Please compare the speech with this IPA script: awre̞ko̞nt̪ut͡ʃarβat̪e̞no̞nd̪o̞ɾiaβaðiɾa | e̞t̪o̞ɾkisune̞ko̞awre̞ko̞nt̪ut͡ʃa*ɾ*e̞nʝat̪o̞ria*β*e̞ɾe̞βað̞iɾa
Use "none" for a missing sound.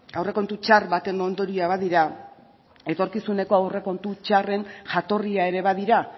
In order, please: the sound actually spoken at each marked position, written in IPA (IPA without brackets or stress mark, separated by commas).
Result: r, none